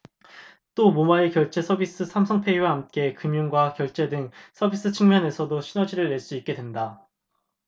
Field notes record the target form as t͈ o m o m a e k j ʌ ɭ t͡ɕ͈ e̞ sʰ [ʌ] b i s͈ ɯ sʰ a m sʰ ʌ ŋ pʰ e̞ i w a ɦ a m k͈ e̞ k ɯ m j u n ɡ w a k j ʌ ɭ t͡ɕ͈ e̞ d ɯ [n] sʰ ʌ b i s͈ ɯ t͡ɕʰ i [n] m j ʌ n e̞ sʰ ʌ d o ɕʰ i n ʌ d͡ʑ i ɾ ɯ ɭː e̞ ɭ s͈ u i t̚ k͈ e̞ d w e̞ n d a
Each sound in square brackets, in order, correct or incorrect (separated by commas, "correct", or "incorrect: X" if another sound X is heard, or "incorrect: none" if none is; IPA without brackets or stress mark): correct, incorrect: ŋ, incorrect: ŋ